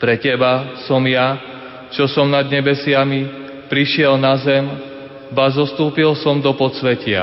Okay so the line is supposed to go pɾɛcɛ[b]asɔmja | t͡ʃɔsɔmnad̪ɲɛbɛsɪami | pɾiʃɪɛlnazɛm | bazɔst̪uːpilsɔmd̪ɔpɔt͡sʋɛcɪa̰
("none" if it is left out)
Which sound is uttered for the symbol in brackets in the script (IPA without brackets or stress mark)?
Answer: b